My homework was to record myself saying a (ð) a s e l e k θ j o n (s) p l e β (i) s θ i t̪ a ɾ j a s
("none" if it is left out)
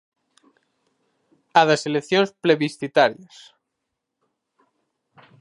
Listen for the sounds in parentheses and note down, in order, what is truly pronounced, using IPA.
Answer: ð, s, i

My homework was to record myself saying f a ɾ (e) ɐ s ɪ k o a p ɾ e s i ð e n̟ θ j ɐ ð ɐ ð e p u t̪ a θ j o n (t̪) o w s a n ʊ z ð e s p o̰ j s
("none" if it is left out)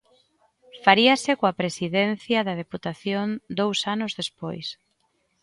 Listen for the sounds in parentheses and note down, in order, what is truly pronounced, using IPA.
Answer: i, d̪

